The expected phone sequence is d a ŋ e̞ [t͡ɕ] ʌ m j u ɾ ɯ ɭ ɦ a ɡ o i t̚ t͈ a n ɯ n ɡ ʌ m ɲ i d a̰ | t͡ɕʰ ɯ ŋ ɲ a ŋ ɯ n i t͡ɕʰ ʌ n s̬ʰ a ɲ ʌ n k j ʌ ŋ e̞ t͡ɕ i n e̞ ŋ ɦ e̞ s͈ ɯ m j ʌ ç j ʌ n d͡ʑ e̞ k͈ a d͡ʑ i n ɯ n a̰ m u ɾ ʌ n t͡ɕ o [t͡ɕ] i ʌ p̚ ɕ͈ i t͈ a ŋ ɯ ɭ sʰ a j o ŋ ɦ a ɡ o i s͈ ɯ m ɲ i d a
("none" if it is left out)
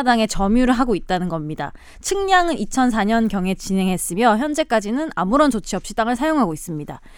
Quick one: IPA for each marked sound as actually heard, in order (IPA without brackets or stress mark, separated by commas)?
t͡ɕ, t͡ɕʰ